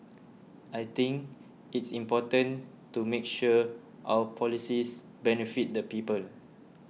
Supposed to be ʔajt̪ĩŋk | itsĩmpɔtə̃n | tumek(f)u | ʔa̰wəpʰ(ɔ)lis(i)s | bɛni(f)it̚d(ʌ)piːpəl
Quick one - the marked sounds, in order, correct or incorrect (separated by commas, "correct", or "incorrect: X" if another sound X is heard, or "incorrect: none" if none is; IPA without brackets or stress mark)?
incorrect: ʃ, correct, correct, correct, incorrect: ə